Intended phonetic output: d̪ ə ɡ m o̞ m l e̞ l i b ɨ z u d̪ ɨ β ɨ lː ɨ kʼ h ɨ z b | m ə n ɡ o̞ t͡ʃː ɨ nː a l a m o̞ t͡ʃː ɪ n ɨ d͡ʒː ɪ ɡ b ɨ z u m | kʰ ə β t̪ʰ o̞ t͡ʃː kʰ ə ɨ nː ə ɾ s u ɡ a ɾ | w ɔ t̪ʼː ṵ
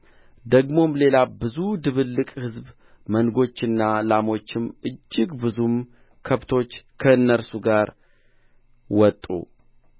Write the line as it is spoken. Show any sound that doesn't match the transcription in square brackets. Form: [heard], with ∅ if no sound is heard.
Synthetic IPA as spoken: d̪ ə ɡ m o̞ m l e̞ l [a] b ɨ z u d̪ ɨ β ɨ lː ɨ kʼ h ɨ z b | m ə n ɡ o̞ t͡ʃː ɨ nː a l a m o̞ t͡ʃː ɪ [m] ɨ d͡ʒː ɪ ɡ b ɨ z u m | kʰ ə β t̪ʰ o̞ t͡ʃː kʰ ə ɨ nː ə ɾ s u ɡ a ɾ | w ɔ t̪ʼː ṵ